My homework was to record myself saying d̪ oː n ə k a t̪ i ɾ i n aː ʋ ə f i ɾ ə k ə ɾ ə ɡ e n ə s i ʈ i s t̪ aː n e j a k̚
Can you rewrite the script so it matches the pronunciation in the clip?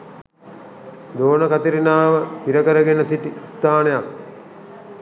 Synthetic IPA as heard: d̪ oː n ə k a t̪ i ɾ i n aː ʋ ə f i ɾ ə k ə ɾ ə ɡ e n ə s i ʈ i s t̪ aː n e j a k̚

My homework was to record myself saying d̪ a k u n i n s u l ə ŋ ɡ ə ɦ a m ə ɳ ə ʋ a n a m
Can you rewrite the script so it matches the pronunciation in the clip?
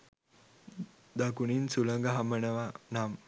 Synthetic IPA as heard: d̪ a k u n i n s u l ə ŋ ɡ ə ɦ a m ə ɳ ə ʋ a n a m

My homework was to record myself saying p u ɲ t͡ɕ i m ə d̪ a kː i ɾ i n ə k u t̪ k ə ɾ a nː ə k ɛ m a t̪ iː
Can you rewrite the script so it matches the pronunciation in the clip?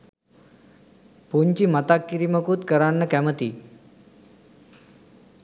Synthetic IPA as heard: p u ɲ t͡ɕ i m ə t̪ a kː i ɾ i m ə k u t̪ k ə ɾ a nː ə k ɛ m ə t̪ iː

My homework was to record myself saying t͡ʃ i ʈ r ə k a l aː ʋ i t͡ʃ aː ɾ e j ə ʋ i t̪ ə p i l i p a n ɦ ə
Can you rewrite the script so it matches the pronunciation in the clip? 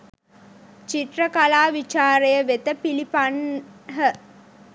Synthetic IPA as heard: t͡ʃ i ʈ r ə k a l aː ʋ i t͡ʃ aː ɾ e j ə ʋ e t̪ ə p i l i p a n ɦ ə

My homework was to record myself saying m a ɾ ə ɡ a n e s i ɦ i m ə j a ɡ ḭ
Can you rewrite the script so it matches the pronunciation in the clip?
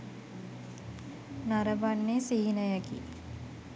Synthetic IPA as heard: n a ɾ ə b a nː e s i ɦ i n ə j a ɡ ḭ

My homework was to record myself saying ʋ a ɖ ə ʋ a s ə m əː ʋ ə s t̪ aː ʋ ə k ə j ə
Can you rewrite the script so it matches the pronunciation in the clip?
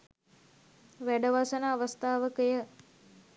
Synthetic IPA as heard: ʋ æ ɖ ə ʋ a s ə n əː ʋ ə s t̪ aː ʋ ə k ə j ə

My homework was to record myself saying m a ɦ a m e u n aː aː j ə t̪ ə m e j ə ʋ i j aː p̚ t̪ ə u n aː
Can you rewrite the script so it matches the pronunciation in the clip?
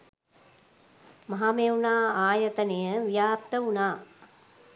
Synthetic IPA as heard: m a ɦ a m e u n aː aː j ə t̪ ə n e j ə ʋ i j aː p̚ t̪ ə u n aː

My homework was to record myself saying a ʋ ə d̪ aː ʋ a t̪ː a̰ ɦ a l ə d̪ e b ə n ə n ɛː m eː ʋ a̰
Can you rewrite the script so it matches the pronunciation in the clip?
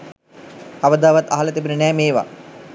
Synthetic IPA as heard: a ʋ ə d̪ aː ʋ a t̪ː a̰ ɦ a l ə t̪ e b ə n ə n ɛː m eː ʋ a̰

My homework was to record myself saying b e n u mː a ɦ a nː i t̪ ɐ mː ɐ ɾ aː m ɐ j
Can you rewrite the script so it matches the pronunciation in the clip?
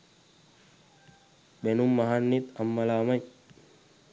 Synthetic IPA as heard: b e n u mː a ɦ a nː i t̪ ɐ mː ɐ l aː m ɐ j

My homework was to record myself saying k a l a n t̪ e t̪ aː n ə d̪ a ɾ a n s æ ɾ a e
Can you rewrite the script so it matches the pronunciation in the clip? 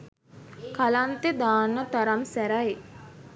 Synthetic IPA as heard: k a l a n t̪ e d̪ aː n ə t̪ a ɾ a m s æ ɾ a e

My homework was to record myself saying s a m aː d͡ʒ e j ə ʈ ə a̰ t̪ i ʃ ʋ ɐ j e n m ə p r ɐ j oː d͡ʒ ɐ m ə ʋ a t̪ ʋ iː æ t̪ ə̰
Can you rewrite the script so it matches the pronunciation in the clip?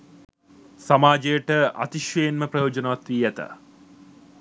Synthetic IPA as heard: s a m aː d͡ʒ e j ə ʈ ə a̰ t̪ i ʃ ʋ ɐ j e n m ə p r ɐ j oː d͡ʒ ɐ n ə ʋ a t̪ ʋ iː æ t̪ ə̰

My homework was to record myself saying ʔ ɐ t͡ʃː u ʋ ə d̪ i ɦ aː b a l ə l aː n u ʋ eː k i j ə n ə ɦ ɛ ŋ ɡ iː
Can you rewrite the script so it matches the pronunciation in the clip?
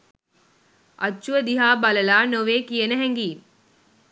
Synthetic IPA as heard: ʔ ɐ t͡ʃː u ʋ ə d̪ i ɦ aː b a l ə l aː n o ʋ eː k i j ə n ə ɦ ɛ ŋ ɡ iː

